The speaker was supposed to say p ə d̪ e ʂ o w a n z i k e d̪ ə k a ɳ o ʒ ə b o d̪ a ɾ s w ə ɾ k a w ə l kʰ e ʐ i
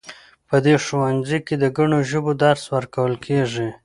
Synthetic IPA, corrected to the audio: p ə d̪ e ʂ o w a n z i k e d̪ ə ɡ a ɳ o ʒ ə b o d̪ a ɾ s w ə ɾ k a w ə l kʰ e ʐ i